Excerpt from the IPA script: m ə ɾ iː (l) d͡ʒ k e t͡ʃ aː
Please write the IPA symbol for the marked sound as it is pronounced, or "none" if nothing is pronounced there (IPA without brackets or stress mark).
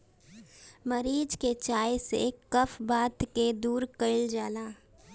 none